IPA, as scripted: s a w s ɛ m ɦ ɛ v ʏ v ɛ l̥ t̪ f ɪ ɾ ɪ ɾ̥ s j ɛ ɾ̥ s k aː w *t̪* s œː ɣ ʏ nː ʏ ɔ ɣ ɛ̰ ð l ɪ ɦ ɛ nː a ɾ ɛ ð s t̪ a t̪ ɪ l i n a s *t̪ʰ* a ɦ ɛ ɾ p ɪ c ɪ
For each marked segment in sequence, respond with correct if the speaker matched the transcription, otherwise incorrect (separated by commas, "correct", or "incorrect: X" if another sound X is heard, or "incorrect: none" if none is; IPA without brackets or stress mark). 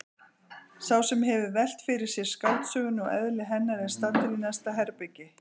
correct, incorrect: t̪